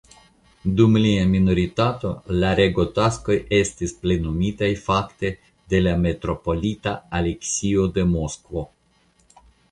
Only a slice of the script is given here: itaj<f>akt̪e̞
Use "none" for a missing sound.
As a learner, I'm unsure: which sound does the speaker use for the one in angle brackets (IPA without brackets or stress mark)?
f